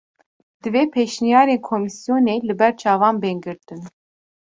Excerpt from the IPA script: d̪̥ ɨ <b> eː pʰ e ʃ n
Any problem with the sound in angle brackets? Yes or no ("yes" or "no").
yes